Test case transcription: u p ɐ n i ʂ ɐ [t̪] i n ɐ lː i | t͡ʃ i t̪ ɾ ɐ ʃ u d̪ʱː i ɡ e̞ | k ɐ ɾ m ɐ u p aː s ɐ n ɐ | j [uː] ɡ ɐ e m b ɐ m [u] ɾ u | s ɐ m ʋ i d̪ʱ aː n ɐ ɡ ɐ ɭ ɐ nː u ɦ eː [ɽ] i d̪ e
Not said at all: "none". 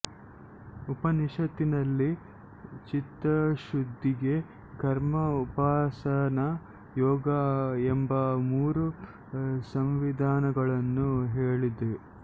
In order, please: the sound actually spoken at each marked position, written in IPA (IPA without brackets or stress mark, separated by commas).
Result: t̪, ɔː, uː, ɭ